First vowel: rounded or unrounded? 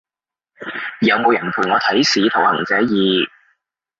unrounded